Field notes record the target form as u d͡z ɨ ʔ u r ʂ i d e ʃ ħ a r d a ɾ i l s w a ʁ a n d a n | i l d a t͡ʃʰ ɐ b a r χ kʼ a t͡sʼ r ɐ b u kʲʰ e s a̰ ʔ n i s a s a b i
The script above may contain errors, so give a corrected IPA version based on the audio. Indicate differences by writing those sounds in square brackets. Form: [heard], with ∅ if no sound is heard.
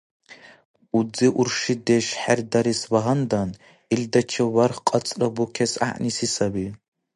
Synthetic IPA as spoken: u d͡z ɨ ʔ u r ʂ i d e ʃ ħ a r d a ɾ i [∅] s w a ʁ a n d a n | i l d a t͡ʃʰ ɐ [w] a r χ [qʼ] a t͡sʼ r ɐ b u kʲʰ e s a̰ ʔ n i s [i] s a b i